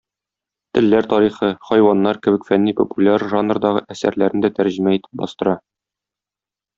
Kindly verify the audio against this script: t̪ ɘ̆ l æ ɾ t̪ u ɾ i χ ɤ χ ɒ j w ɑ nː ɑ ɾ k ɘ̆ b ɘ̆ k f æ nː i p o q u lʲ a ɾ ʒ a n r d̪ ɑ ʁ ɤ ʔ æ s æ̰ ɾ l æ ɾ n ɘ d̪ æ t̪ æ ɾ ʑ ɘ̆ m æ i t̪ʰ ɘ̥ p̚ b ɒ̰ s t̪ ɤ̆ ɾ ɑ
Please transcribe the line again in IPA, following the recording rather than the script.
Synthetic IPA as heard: t̪ ɘ̆ lː æ ɾ t̪ ɒ ɾ i χ ɤ χ ɒ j w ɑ nː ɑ ɾ k ɘ̆ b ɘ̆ k f æ nː i p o p u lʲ a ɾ ʒ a n r d̪ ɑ ʁ ɤ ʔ æ s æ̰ ɾ l æ ɾ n ɘ d̪ æ t̪ æ ɾ ʑ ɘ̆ m æ i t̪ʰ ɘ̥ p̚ b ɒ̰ s t̪ ɤ̆ ɾ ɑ